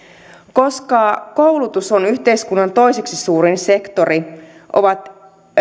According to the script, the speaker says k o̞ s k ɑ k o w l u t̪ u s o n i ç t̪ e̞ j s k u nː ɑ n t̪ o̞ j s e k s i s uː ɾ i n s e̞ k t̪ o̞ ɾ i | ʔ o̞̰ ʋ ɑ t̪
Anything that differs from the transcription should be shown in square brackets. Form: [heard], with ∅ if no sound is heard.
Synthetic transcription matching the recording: k o̞ s k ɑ k o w l u t̪ u s o n [y] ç t̪ e̞ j s k u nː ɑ n t̪ o̞ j s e k s i s uː ɾ i n s e̞ k t̪ o̞ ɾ i | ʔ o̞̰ ʋ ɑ t̪